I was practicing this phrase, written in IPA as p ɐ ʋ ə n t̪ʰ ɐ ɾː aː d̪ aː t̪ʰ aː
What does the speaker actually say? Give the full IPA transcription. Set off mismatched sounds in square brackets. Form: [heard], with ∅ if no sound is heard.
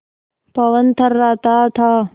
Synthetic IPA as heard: p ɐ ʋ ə n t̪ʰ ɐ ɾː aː [t̪] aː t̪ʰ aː